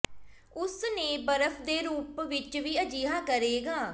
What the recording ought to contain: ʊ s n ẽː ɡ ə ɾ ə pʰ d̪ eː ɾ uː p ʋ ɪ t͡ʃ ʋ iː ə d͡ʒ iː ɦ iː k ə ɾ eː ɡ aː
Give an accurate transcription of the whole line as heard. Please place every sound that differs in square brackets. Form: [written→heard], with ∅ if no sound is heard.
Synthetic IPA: ʊ s n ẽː [ɡ→b] ə ɾ ə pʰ d̪ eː ɾ uː p ʋ ɪ t͡ʃ ʋ iː ə d͡ʒ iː ɦ [iː→aː] k ə ɾ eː ɡ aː